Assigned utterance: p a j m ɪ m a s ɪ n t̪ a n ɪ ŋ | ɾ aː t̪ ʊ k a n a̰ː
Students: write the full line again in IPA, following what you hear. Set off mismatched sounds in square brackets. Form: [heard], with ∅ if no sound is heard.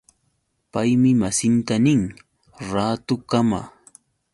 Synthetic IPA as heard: p a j m ɪ m a s ɪ n t̪ a n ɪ ŋ | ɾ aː t̪ ʊ k a [m] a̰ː